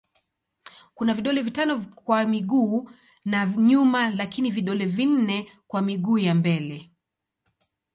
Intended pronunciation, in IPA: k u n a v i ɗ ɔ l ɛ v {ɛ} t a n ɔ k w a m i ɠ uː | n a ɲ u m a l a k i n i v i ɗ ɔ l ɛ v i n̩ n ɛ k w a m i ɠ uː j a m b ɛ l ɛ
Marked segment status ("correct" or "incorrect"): incorrect